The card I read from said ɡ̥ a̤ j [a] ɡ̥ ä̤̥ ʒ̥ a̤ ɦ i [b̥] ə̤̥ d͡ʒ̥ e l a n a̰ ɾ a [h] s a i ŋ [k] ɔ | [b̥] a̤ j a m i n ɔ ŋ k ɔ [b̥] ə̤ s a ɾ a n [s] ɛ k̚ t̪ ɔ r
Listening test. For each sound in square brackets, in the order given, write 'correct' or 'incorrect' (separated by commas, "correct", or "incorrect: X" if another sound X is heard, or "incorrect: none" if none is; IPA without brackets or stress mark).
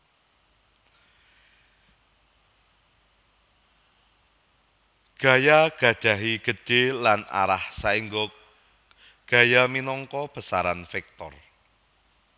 correct, incorrect: ɡ̥, correct, incorrect: ɡ, incorrect: ɡ̥, correct, incorrect: f